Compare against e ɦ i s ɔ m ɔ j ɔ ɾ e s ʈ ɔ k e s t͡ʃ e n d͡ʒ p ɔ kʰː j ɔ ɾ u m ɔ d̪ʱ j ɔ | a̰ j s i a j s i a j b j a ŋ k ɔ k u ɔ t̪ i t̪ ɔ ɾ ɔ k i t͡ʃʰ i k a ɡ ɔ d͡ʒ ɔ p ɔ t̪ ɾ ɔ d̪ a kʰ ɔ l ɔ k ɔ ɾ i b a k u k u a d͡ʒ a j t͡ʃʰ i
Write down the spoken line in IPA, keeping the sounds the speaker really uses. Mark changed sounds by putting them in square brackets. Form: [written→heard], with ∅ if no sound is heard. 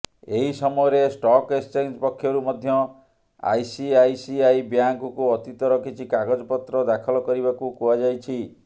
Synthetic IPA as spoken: e ɦ i s ɔ m ɔ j ɔ ɾ e s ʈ ɔ k e s t͡ʃ e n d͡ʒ p ɔ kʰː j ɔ ɾ u m ɔ d̪ʱ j ɔ | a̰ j s i a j s i a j b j a ŋ k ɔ k u ɔ t̪ i t̪ ɔ ɾ ɔ k i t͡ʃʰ i k a ɡ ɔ d͡ʒ ɔ p ɔ t̪ ɾ ɔ d̪ a kʰ ɔ l ɔ k ɔ ɾ i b a k u k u a d͡ʒ a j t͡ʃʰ i